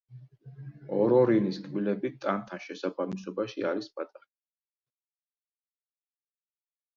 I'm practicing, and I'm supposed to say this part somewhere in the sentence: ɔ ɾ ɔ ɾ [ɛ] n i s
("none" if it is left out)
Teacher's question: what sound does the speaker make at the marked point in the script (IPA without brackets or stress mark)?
i